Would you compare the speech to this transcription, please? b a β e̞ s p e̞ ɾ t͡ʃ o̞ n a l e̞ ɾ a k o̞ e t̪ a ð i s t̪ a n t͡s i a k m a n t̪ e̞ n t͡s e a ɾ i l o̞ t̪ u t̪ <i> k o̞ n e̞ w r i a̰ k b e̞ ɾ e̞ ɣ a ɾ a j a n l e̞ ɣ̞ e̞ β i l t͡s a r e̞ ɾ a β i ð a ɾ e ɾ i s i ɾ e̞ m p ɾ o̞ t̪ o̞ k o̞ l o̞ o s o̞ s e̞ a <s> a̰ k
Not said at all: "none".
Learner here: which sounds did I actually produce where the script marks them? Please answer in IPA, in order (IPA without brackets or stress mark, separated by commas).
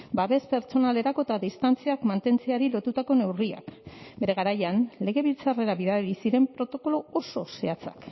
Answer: a, t͡s